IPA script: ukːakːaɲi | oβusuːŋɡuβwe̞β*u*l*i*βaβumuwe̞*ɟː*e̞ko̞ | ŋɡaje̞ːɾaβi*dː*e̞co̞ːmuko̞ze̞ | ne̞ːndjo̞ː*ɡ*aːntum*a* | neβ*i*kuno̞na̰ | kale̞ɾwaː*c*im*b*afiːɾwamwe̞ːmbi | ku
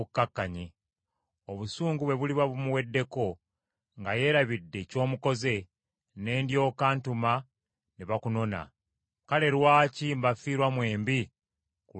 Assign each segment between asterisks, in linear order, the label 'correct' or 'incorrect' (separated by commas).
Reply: correct, correct, incorrect, correct, incorrect, correct, incorrect, correct, correct